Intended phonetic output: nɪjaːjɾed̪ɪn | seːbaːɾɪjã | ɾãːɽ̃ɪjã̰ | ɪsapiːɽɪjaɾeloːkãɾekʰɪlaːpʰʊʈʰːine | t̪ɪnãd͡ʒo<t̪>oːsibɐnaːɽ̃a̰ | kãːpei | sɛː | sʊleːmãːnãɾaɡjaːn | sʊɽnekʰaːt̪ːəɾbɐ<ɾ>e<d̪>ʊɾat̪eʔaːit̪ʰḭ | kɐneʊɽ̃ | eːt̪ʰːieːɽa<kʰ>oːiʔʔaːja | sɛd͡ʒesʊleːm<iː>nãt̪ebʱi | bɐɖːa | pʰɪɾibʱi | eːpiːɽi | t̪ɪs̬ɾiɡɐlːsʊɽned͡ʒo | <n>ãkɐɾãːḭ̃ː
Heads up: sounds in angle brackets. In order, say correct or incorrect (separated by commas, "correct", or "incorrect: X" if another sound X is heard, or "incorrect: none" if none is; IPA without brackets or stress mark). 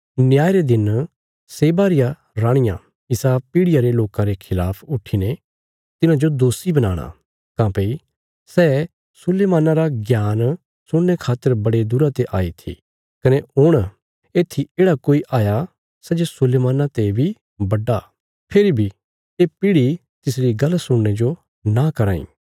incorrect: d̪, incorrect: ɽ, correct, incorrect: k, incorrect: aː, correct